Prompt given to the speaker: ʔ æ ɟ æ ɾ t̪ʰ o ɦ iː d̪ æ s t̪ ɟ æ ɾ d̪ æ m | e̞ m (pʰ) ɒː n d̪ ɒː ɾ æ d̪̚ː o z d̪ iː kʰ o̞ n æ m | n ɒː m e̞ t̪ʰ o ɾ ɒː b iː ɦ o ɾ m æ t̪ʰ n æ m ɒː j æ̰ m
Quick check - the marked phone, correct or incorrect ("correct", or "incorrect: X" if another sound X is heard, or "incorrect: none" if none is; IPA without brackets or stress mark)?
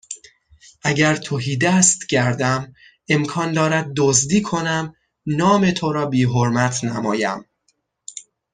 incorrect: kʰ